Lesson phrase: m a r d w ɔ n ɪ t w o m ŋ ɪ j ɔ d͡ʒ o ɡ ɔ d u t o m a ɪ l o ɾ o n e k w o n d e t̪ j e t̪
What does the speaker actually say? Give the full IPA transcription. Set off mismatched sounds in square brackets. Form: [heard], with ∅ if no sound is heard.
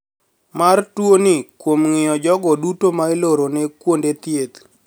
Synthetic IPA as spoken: m a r [t] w [o] n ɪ [k] w o m ŋ ɪ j ɔ d͡ʒ [ɔ] ɡ ɔ d u t o m a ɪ l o ɾ o n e k w o n d e t̪ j e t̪